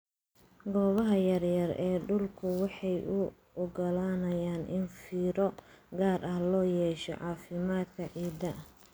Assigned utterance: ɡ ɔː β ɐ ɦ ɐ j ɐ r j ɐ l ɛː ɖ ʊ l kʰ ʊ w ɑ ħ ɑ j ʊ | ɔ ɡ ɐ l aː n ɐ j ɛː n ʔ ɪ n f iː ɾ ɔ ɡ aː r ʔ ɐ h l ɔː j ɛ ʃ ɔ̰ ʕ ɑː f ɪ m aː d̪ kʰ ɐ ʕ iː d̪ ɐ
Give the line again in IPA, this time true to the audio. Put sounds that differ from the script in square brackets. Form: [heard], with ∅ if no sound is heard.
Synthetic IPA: ɡ ɔː β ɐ ɦ ɐ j ɐ r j ɐ [r] ɛː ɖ ʊ l kʰ ʊ w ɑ ħ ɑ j ʊ | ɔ ɡ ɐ l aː n ɐ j [aː] n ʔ ɪ n f iː ɾ ɔ ɡ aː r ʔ ɐ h l ɔː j [ɛː] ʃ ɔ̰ ʕ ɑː f ɪ m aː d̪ kʰ ɐ ʕ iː d̪ ɐ